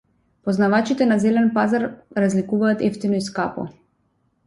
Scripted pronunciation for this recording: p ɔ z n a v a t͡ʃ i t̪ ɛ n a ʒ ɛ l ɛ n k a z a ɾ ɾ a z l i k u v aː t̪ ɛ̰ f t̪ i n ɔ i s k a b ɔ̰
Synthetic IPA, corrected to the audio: p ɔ z n a v a t͡ʃ i t̪ ɛ n a z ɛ l ɛ n p a z a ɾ ɾ a z l i k u v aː t̪ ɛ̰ f t̪ i n ɔ i s k a p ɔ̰